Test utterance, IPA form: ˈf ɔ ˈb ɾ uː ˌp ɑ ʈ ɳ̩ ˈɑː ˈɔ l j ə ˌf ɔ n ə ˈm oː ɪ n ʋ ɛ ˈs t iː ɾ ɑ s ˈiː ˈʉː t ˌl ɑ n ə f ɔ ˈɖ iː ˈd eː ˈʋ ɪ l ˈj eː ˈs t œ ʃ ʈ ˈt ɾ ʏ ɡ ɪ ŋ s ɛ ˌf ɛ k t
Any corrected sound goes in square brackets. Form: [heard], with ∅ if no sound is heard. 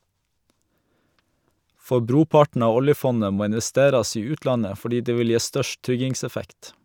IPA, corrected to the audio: ˈf ɔ ˈb ɾ uː ˌp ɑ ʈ ɳ̩ ˈɑː ˈɔ l j ə ˌf ɔ n ə ˈm oː ɪ n ʋ ɛ ˈs t [eː] ɾ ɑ s ˈiː ˈʉː t ˌl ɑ n ə f ɔ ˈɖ iː ˈd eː ˈʋ ɪ l ˈj eː ˈs t œ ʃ ʈ ˈt ɾ ʏ ɡ ɪ ŋ s ɛ ˌf ɛ k t